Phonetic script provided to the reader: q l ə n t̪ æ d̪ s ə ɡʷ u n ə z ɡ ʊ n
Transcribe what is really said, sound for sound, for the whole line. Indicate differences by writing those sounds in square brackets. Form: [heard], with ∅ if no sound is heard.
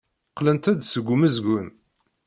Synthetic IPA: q l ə n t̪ æ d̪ s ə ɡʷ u [m] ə z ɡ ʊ n